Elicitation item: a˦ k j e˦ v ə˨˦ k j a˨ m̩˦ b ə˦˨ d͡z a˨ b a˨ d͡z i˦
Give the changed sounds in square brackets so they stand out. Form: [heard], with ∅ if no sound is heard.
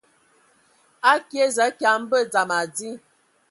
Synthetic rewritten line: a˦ k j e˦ [z] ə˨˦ k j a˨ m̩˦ b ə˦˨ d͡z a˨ [m] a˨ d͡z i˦